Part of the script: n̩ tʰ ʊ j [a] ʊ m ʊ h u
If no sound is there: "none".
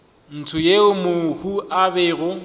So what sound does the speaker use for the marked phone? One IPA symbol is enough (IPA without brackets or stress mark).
e